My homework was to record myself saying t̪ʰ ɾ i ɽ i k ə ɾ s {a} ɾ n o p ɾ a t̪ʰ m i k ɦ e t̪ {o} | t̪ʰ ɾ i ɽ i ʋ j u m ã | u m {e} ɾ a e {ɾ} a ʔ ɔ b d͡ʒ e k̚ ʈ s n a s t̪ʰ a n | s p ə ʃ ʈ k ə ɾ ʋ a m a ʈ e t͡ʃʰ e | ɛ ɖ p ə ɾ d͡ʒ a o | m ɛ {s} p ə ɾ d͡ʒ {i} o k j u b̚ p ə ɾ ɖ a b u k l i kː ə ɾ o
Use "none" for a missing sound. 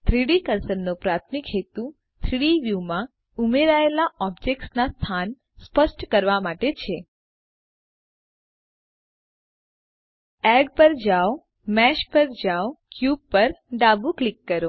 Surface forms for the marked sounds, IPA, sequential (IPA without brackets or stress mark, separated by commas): ə, u, e, l, ʃ, a